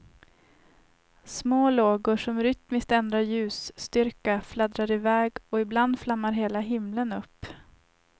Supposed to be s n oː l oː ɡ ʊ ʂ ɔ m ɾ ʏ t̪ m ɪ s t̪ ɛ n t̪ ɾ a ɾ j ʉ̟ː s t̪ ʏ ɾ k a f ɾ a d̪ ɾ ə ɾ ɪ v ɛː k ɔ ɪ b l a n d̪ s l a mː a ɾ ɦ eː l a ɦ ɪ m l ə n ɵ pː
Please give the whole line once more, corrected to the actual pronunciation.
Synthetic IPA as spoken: s m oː l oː ɡ ʊ ʂ ɔ m ɾ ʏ t̪ m ɪ s t̪ ɛ n d̪ ɾ a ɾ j ʉ̟ː s t̪ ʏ ɾ k a f l a d̪ ɾ a ɾ ɪ v ɛː ɡ ɔ ɪ b l a n d̪ f l a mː a ɾ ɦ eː l a ɦ ɪ m l ə n ɵ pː